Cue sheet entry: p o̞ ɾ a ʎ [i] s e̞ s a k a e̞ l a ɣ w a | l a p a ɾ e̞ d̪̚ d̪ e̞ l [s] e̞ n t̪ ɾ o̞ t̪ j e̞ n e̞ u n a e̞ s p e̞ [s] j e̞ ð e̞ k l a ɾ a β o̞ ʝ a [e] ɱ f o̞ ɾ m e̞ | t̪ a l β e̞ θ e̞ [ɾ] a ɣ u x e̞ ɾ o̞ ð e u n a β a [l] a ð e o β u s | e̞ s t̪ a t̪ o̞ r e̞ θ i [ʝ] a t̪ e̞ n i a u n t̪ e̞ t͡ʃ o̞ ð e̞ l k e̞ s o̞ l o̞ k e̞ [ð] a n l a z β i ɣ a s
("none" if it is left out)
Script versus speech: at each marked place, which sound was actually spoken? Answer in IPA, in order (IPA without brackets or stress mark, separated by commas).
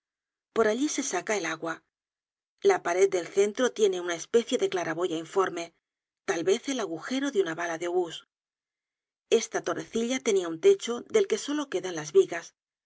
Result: i, θ, θ, i, l, l, ʎ, ð